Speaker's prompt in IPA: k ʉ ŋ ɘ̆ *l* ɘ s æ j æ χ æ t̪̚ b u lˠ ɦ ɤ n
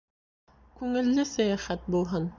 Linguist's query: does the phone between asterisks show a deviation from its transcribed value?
yes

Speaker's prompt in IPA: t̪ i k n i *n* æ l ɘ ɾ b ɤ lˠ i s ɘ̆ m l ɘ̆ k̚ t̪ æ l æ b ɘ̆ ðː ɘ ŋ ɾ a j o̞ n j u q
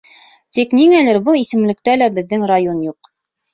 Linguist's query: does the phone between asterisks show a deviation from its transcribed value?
yes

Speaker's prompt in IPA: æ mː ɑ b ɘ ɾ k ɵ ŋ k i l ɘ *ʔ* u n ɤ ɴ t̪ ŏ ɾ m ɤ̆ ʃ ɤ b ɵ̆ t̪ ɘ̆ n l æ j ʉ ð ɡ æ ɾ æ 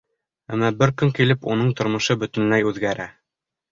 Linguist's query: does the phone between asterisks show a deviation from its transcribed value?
yes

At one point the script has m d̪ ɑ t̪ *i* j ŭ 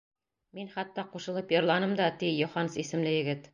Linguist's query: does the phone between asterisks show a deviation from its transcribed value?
no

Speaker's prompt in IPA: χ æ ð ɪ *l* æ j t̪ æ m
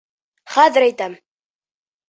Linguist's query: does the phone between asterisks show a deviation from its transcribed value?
yes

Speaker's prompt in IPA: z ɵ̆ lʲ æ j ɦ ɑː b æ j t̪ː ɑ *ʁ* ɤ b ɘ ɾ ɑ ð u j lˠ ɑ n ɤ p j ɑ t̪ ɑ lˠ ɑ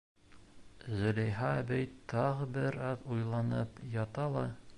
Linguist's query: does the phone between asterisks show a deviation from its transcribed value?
no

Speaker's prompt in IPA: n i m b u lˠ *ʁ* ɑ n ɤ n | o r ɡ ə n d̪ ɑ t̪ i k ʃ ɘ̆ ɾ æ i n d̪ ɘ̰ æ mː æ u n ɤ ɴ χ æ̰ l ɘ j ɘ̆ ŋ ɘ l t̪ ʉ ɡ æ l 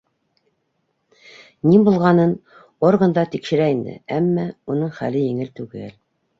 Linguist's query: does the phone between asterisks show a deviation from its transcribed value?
no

